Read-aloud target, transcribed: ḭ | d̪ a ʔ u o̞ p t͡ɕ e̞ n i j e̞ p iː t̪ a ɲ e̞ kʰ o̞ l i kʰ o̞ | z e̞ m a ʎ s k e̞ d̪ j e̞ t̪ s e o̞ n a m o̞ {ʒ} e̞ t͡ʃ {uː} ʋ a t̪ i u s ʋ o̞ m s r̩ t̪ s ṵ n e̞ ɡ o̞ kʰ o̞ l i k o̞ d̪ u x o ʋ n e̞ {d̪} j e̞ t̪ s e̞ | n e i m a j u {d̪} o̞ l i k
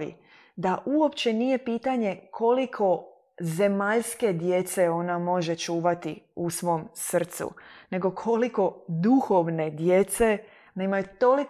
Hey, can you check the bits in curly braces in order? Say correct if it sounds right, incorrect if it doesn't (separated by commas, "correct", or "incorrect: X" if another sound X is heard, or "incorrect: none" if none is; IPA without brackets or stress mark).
correct, correct, correct, incorrect: t̪